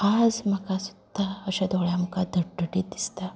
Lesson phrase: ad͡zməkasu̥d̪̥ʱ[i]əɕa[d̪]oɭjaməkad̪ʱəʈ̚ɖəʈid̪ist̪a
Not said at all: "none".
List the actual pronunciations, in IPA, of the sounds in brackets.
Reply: a, d̪

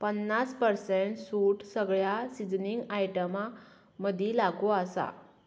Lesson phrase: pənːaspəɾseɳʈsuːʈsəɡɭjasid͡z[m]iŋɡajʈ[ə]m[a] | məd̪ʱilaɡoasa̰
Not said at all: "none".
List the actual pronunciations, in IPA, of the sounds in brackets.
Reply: n, ə, a

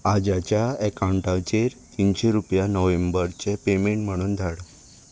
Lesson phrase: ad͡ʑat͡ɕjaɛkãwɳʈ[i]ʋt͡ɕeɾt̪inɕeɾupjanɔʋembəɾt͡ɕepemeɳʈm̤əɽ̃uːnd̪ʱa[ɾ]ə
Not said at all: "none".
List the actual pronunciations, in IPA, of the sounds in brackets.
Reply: a, ɽ

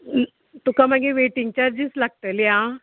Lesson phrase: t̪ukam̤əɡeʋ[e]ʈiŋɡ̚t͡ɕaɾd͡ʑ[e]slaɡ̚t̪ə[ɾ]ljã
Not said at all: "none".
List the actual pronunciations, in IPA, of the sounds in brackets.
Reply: e, i, none

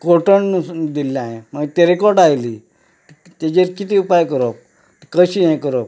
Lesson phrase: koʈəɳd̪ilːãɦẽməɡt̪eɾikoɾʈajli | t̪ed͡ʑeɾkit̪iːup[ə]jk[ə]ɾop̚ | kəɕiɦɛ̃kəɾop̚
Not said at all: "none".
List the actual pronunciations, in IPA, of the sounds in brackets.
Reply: a, ə

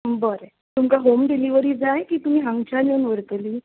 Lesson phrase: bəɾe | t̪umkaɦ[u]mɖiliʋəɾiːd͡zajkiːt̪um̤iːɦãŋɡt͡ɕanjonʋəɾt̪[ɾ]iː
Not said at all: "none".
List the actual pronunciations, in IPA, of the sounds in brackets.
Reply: o, l

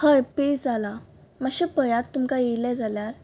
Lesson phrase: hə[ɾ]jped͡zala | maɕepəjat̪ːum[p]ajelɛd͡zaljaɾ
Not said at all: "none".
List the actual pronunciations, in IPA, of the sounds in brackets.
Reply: none, k

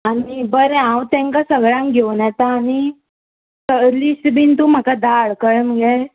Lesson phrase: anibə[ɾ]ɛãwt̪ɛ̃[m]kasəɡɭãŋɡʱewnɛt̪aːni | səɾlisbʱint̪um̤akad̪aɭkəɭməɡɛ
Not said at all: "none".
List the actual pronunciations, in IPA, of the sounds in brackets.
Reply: ɾ, ŋ

